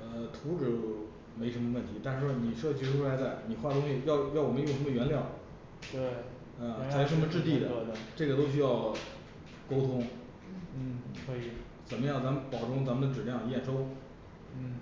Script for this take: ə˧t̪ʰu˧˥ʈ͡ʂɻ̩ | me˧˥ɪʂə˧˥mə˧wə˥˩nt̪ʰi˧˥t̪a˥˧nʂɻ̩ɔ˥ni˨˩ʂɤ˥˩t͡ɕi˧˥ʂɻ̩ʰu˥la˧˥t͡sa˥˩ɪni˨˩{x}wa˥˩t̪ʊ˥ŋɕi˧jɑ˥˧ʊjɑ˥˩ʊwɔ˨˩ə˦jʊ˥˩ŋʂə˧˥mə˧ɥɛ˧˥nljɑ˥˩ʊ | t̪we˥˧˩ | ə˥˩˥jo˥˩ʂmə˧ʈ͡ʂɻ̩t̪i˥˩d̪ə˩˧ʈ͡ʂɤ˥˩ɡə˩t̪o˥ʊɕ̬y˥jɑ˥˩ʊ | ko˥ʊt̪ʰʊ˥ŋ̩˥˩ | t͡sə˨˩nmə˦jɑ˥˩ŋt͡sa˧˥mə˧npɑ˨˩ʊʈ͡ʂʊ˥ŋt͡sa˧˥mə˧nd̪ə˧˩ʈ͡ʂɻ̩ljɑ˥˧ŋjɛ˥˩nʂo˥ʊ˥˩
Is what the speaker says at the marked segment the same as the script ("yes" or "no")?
yes